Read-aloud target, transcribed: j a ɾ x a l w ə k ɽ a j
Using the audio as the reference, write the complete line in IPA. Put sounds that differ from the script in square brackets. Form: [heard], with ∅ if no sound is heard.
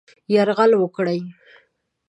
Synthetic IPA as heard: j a ɾ [ɣ] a l w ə k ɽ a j